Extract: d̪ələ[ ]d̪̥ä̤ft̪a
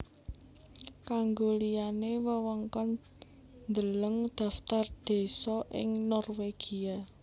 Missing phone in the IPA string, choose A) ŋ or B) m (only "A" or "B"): A